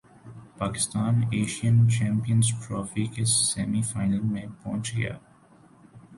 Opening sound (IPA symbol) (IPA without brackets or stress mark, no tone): p